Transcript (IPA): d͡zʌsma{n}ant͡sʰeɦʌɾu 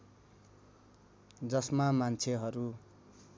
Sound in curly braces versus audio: incorrect: m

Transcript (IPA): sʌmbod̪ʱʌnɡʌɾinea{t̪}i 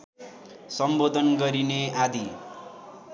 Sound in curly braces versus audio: incorrect: d̪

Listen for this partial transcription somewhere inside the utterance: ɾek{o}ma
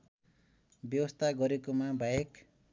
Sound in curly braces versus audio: correct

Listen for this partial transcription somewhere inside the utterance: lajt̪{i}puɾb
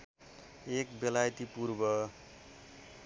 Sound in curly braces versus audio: correct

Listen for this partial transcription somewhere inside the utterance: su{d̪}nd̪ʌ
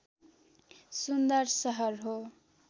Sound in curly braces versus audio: incorrect: none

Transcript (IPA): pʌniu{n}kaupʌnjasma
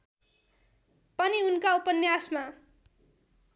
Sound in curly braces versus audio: correct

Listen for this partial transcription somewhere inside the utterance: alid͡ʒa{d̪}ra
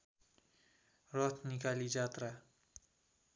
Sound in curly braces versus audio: incorrect: t̪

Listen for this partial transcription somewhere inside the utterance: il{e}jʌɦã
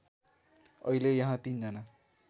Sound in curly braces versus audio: correct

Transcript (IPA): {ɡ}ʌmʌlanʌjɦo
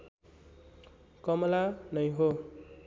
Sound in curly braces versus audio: incorrect: k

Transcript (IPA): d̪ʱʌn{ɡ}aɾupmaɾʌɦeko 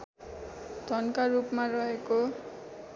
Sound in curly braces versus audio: incorrect: k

